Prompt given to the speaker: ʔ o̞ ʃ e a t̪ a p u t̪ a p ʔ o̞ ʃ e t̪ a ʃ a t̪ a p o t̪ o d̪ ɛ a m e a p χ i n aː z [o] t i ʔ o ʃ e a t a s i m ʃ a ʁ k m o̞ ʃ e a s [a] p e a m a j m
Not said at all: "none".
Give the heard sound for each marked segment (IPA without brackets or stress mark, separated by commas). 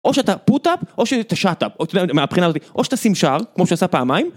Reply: o, a